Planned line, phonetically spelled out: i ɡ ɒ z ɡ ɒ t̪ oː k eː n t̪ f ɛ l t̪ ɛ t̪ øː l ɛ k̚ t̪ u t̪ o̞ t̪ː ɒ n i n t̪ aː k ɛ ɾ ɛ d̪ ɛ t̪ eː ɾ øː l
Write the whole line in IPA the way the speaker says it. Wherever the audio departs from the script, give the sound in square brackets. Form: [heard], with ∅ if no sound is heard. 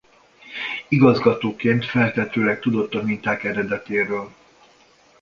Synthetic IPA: i ɡ ɒ z ɡ ɒ t̪ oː k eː n t̪ f ɛ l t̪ ɛ t̪ øː l ɛ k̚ t̪ u [d̪] o̞ t̪ː ɒ [m] i n t̪ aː k ɛ ɾ ɛ d̪ ɛ t̪ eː ɾ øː l